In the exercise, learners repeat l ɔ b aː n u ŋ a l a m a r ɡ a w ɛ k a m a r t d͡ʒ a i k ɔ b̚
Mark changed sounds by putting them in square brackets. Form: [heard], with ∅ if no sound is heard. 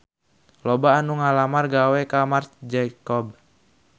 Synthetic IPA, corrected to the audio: l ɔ b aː n u ŋ a l a m a r ɡ a w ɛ k a m a r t d͡ʒ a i k ɔ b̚

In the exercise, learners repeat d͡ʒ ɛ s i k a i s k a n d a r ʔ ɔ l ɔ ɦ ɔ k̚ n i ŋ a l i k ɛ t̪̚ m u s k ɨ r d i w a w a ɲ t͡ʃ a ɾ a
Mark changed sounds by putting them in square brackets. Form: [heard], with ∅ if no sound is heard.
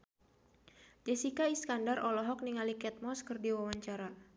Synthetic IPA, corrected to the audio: d͡ʒ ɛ s i k a i s k a n d a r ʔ ɔ l ɔ ɦ ɔ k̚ n i ŋ a l i k ɛ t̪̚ m [ɔ] s k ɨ r d i w a w a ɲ t͡ʃ a ɾ a

